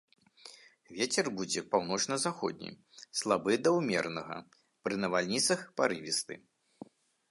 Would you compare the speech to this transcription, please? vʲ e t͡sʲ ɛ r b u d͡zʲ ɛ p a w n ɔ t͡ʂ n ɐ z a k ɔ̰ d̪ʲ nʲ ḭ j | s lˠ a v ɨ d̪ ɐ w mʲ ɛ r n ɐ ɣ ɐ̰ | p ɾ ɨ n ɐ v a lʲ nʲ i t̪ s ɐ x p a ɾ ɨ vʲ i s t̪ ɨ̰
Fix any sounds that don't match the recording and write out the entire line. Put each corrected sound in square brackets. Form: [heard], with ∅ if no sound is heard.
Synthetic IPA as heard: vʲ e t͡sʲ ɛ r b u d͡zʲ ɛ p a w n ɔ t͡ʂ n ɐ z a [x] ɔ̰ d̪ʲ nʲ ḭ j | s lˠ a [b] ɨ d̪ ɐ w mʲ ɛ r n ɐ ɣ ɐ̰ | p ɾ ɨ n ɐ v a lʲ nʲ i t̪ s ɐ x p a ɾ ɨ vʲ i s t̪ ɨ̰